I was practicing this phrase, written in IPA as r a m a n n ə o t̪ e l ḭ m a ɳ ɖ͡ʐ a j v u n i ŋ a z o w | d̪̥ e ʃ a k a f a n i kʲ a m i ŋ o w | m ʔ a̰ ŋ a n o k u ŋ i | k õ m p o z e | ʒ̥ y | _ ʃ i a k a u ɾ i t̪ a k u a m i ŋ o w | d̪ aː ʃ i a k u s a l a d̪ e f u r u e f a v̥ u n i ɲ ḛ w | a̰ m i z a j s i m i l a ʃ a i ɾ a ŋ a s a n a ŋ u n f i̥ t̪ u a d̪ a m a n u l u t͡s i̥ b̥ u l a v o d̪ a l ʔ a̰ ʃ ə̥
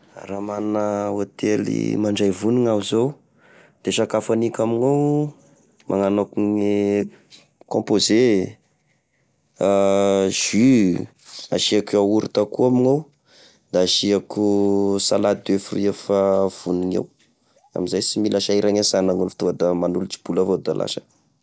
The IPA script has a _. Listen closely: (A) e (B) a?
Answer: B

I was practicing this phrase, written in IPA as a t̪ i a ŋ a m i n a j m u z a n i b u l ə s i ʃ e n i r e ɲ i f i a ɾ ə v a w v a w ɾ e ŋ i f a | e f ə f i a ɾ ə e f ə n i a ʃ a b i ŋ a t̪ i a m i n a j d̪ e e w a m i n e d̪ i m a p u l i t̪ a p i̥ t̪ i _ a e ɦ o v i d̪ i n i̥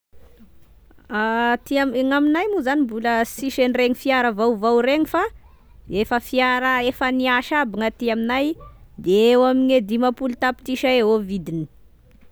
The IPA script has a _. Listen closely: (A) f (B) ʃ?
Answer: B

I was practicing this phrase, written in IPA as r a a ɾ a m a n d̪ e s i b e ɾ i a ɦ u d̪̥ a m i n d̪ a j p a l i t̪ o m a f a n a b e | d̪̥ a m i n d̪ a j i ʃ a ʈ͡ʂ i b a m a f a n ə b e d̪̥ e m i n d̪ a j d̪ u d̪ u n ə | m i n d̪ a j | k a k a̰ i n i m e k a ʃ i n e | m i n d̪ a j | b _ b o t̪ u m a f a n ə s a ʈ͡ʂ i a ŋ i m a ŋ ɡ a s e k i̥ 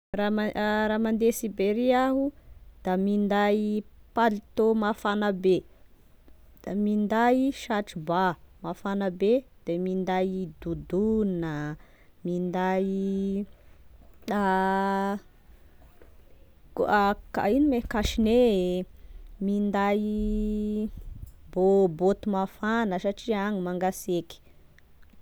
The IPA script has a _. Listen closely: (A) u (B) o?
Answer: B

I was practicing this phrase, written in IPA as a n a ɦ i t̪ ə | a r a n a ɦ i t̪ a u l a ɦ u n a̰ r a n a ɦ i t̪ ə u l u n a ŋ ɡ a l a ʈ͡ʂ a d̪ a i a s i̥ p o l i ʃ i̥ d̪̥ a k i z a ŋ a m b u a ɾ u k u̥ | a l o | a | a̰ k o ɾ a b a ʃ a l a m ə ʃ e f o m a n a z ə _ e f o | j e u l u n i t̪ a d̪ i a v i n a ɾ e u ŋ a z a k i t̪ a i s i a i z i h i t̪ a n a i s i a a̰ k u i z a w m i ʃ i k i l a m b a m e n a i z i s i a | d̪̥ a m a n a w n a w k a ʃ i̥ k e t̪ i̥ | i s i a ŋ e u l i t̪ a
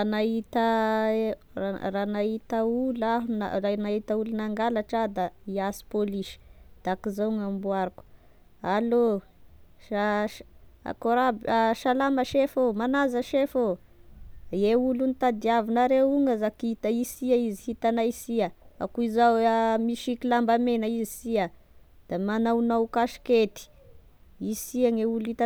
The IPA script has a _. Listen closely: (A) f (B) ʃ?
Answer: B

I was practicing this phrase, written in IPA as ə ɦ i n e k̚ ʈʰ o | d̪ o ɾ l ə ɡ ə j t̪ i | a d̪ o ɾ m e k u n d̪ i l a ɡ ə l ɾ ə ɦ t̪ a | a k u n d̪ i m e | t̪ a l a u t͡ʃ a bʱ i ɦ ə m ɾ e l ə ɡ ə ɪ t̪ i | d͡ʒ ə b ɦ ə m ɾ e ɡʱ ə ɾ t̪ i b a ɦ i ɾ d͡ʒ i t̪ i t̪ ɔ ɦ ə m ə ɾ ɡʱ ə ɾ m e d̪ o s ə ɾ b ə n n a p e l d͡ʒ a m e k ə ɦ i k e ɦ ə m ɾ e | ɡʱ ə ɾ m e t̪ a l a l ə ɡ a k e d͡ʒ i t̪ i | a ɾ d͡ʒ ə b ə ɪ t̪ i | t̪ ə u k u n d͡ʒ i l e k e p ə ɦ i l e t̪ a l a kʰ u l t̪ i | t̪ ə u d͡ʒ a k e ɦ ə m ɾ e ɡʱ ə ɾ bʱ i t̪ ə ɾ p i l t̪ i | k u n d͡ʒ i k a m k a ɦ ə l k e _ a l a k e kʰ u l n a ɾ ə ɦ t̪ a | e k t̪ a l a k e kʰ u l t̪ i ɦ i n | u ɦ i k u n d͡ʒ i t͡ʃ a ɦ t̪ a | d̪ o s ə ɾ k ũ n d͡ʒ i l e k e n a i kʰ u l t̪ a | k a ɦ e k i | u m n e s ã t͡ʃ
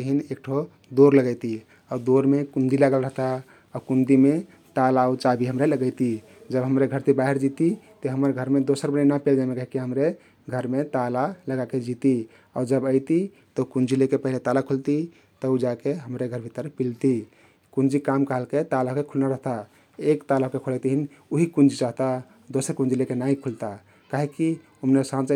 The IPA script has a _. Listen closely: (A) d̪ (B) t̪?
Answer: B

